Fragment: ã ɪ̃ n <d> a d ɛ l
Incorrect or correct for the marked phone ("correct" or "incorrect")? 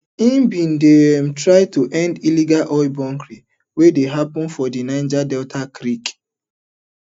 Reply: incorrect